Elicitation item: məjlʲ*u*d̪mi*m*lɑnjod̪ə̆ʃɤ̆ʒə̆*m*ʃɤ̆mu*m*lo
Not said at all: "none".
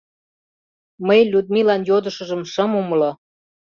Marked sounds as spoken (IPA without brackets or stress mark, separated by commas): u, none, m, m